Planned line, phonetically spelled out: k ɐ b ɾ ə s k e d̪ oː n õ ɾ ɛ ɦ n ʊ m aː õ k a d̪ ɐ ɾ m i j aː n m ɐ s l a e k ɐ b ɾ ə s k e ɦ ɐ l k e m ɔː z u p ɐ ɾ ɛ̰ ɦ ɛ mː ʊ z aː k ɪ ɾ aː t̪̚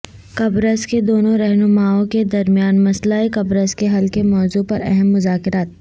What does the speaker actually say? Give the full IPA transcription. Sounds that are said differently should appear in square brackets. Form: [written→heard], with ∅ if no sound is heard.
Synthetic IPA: k ɐ b ɾ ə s k e d̪ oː n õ ɾ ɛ ɦ n ʊ m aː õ k [a→e] d̪ ɐ ɾ m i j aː n m ɐ s l a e k ɐ b ɾ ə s k e ɦ ɐ l k e m ɔː z u p ɐ ɾ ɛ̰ ɦ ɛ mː ʊ z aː k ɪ ɾ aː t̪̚

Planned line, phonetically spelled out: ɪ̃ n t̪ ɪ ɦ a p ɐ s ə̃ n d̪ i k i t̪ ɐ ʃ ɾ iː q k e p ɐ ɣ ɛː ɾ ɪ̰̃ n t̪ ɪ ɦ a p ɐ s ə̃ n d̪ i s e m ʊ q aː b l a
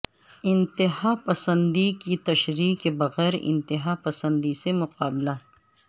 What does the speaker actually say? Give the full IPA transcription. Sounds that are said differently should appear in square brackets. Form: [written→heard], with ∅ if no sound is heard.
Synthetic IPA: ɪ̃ n t̪ ɪ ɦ a p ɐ s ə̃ n d̪ i k i t̪ ɐ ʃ ɾ iː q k e [p→b] ɐ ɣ ɛː ɾ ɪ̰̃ n t̪ ɪ ɦ a p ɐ s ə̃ n d̪ i s e m ʊ q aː b l a

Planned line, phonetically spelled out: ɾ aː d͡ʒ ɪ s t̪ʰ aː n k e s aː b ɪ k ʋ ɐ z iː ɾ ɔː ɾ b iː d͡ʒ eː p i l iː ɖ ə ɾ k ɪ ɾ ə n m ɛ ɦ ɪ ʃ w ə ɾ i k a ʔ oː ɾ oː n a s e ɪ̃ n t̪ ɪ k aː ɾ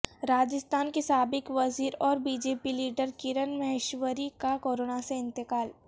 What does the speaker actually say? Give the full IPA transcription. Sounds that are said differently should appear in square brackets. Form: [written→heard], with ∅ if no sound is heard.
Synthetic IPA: ɾ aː d͡ʒ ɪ s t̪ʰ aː n k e s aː b ɪ k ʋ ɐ z iː ɾ ɔː ɾ b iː d͡ʒ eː p i l iː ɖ ə ɾ k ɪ ɾ ə n m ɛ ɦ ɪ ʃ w ə ɾ i k a [ʔ→k] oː ɾ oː n a s e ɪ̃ n t̪ ɪ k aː [ɾ→l]

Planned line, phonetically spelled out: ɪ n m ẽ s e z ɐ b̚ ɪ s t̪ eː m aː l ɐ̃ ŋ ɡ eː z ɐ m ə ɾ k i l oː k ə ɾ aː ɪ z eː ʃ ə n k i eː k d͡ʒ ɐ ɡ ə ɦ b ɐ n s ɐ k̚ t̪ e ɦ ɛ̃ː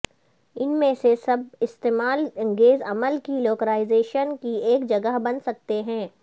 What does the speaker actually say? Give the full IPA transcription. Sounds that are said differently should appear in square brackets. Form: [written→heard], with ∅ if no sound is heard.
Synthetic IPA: ɪ n m ẽ s e [z→s] ɐ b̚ ɪ s t̪ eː m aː l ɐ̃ ŋ ɡ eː z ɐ m ə [ɾ→l] k i l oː k ə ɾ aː ɪ z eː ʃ ə n k i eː k d͡ʒ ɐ ɡ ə ɦ b ɐ n s ɐ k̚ t̪ e ɦ ɛ̃ː

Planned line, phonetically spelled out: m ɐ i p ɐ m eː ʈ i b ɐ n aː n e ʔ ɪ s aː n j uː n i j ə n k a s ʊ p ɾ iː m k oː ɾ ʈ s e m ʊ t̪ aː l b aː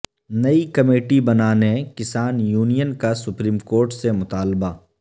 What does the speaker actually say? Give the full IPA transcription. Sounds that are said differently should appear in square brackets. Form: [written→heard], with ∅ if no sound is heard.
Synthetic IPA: [m→n] ɐ i [p→k] ɐ m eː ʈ i b ɐ n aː n e [ʔ→k] ɪ s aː n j uː n i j ə n k a s ʊ p ɾ iː m k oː ɾ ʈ s e m ʊ t̪ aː l b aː

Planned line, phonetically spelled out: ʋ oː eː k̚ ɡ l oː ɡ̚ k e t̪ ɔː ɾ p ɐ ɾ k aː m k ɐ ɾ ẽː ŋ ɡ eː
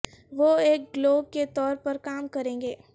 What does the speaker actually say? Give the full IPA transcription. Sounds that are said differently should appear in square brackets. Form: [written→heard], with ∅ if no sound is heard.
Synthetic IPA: ʋ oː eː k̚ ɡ l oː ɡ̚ k e t̪ ɔː ɾ p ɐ ɾ k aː m k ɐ ɾ ẽː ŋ ɡ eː

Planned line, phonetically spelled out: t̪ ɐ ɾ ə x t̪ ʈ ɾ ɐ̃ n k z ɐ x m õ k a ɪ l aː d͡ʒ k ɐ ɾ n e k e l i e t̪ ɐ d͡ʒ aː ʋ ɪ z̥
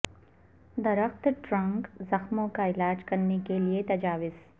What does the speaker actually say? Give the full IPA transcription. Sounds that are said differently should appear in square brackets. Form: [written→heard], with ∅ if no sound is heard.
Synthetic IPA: [t̪→d̪] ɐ ɾ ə x t̪ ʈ ɾ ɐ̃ [n→ŋ] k z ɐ x m õ k a ɪ l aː d͡ʒ k ɐ ɾ n e k e l i e t̪ ɐ d͡ʒ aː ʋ ɪ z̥

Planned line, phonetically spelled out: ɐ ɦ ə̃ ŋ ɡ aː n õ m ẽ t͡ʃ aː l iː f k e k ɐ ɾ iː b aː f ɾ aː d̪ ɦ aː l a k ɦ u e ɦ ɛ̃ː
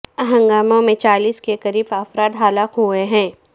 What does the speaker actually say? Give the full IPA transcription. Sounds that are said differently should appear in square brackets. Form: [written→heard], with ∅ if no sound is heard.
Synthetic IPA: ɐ ɦ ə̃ ŋ ɡ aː [n→m] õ m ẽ t͡ʃ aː l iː [f→s] k e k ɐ ɾ iː b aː f ɾ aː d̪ ɦ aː l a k ɦ u e ɦ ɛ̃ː

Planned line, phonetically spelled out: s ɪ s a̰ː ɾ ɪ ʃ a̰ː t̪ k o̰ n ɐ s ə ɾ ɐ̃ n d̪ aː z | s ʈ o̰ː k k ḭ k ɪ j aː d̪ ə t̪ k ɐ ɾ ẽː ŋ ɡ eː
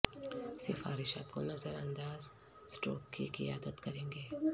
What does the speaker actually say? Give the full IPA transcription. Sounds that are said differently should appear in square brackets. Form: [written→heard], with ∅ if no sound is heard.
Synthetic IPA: s ɪ [s→f] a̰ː ɾ ɪ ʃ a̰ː t̪ k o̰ n ɐ [s→z] ə ɾ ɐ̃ n d̪ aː z | s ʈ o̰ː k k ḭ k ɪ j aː d̪ ə t̪ k ɐ ɾ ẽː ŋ ɡ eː

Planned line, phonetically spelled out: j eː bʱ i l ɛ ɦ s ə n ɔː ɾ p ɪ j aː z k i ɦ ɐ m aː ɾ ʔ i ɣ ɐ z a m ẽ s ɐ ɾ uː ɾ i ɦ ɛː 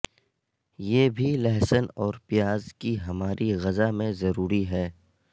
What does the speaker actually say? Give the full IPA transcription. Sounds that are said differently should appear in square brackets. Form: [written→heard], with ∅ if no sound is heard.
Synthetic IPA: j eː bʱ i l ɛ ɦ s ə n ɔː ɾ p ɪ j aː z k i ɦ ɐ m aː ɾ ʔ i ɣ ɐ z a m ẽ [s→z] ɐ ɾ uː ɾ i ɦ ɛː

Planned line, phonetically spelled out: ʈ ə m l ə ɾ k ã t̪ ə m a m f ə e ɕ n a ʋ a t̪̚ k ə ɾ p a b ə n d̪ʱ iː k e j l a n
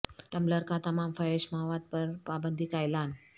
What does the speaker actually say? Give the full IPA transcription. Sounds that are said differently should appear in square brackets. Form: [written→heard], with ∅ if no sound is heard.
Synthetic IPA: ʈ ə m l ə ɾ k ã t̪ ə m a m f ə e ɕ [n→m] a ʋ a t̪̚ [k→p] ə ɾ p a b ə n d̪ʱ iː k [e→a] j l a n

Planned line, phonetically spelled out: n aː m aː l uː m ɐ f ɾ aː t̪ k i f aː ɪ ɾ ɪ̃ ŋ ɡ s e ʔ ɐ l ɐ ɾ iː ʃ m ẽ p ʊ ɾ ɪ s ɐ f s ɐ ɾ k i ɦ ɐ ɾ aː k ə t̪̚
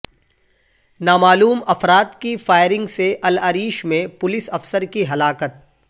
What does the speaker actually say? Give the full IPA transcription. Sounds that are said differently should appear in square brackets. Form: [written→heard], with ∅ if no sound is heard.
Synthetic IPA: n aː m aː l uː m ɐ f ɾ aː t̪ k i f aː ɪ ɾ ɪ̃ ŋ ɡ s e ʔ ɐ l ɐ ɾ iː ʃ m ẽ p ʊ [ɾ→l] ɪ s ɐ f s [ɐ→ə] ɾ k i ɦ ɐ [ɾ→l] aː k ə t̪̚

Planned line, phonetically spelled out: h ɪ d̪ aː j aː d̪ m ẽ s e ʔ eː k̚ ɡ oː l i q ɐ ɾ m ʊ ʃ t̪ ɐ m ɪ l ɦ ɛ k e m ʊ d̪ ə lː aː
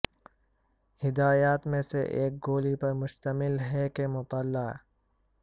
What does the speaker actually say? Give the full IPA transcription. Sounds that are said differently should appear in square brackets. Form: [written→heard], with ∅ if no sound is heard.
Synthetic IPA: h ɪ d̪ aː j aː [d̪→t̪] m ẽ s e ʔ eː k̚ ɡ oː l i [q→p] ɐ ɾ m ʊ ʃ t̪ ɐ m ɪ l ɦ ɛ k e m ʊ [d̪→t̪] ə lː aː

